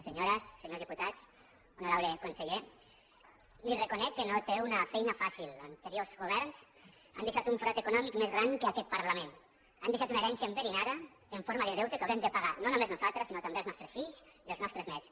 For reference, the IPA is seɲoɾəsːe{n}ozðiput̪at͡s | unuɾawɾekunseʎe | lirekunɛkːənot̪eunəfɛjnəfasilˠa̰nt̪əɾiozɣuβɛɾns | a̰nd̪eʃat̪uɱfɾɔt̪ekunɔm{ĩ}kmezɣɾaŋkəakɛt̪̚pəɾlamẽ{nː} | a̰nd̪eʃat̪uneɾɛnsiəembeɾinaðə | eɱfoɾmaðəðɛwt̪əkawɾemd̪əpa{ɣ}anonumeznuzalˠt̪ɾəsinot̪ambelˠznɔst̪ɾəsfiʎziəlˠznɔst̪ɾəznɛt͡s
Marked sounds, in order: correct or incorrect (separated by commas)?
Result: incorrect, incorrect, incorrect, correct